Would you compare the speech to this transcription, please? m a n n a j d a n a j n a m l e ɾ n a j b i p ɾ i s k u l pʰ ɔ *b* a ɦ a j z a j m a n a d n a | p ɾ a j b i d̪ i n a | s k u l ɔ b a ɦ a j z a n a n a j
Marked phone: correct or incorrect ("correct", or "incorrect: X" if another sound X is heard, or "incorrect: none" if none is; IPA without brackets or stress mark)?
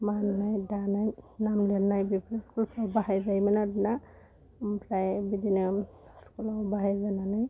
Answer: correct